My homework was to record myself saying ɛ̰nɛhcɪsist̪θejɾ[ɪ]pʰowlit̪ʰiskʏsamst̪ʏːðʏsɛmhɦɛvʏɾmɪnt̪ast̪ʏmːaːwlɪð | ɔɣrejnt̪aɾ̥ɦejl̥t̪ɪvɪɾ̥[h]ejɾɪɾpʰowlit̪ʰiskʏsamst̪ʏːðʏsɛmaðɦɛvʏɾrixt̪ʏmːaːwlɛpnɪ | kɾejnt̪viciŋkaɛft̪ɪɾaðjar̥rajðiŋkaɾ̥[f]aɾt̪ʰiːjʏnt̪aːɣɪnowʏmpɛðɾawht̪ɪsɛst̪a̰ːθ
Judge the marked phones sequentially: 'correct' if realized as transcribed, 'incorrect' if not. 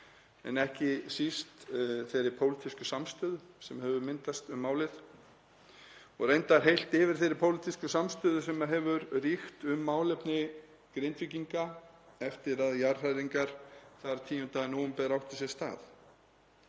correct, incorrect: θ, incorrect: θ

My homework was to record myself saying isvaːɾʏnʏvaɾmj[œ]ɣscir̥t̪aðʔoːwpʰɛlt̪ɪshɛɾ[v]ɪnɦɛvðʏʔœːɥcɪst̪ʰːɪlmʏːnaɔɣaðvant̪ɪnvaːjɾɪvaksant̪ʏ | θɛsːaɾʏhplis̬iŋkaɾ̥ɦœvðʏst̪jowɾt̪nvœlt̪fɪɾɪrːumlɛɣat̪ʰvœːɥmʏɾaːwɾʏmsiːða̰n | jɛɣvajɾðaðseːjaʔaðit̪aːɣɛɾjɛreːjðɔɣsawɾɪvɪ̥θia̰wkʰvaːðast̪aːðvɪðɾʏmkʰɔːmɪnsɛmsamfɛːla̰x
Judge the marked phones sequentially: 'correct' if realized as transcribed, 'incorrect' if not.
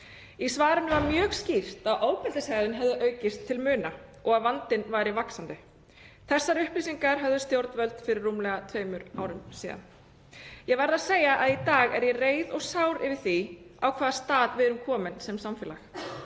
incorrect: œː, incorrect: ð

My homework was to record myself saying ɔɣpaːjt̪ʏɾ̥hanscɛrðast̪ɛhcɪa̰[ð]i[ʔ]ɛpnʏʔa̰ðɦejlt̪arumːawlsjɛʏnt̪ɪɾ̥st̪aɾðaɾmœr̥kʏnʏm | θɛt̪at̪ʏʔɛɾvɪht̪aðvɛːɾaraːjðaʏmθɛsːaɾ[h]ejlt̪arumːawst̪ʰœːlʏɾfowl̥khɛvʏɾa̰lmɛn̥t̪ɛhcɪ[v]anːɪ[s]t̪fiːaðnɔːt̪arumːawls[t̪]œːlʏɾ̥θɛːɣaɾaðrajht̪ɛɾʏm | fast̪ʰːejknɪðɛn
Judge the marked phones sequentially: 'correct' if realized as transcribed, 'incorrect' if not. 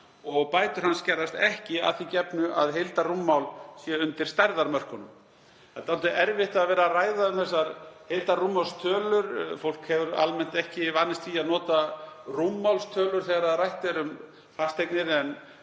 incorrect: θ, incorrect: c, correct, correct, correct, incorrect: t̪ʰ

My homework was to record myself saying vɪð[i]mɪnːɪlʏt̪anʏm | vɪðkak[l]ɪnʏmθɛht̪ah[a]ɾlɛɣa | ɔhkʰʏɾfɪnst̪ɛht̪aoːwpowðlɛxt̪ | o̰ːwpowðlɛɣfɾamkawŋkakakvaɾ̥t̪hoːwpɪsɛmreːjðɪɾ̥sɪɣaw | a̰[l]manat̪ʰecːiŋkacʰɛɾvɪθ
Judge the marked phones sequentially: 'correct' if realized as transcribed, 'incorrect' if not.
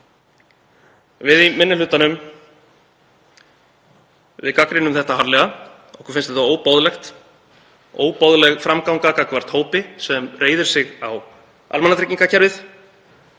correct, incorrect: ɾ, correct, correct

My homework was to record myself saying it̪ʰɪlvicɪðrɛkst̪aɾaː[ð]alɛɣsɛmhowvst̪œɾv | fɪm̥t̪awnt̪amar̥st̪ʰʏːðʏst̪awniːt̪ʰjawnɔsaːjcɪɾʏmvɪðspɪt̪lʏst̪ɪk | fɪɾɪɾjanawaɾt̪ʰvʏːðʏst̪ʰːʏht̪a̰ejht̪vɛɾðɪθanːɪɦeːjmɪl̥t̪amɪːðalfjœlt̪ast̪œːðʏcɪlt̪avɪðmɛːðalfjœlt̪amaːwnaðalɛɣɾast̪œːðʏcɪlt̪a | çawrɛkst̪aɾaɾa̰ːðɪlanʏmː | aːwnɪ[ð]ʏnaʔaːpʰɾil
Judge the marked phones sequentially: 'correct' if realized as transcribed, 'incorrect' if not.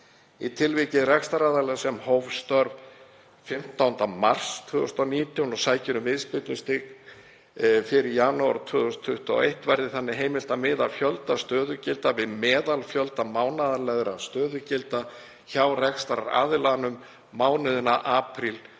correct, correct

